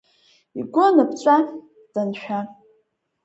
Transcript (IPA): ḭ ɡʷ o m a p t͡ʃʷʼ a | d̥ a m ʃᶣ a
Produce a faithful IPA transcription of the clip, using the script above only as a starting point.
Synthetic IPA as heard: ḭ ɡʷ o n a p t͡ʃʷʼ a | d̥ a n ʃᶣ a